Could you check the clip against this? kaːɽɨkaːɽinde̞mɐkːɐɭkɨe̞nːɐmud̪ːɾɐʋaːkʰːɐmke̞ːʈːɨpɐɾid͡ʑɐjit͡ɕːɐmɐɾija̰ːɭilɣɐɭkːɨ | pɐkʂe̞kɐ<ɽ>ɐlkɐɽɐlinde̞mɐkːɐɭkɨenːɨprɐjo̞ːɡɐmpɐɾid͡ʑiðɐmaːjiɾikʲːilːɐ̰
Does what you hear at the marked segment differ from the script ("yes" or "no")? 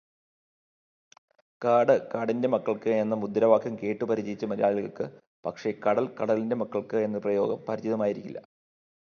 no